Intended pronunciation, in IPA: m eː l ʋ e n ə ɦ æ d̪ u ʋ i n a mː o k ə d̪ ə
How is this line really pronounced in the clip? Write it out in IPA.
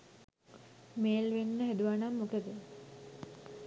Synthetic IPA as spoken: m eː l ʋ e nː ə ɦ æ d̪ u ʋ a n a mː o k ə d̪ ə